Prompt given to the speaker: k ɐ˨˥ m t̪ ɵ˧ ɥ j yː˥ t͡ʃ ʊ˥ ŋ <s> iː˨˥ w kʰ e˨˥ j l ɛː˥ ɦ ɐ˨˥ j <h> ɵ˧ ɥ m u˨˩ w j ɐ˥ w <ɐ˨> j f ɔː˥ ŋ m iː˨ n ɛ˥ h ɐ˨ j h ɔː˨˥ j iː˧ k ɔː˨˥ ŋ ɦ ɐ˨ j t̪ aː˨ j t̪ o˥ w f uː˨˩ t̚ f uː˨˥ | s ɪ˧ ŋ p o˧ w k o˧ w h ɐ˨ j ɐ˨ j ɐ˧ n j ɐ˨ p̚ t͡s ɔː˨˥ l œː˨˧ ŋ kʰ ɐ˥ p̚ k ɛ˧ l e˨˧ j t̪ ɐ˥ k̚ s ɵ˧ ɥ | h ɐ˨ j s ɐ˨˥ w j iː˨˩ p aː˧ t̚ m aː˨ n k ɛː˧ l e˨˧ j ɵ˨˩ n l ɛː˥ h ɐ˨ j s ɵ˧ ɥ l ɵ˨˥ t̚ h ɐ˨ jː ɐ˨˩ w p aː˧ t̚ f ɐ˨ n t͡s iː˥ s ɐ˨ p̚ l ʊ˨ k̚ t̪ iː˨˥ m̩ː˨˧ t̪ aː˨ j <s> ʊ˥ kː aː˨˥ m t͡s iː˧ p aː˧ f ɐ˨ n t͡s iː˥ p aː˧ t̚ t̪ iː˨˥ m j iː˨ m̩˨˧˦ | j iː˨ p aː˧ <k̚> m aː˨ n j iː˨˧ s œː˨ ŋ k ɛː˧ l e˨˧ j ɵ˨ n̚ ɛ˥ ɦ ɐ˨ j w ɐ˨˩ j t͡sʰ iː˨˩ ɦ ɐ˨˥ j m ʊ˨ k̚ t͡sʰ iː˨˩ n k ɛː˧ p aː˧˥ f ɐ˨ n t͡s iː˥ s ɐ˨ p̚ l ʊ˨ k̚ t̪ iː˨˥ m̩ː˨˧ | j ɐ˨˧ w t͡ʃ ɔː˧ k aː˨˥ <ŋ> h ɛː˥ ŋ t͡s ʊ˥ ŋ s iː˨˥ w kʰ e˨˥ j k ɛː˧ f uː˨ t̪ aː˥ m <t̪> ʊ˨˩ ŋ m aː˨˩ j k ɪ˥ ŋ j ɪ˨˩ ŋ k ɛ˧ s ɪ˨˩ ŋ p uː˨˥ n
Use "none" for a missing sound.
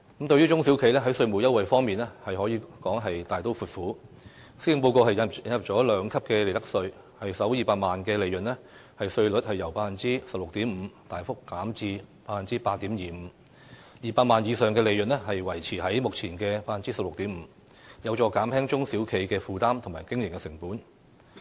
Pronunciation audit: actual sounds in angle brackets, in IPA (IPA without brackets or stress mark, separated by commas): s, s, ɐ˨, f, t̚, m, t̪ʰ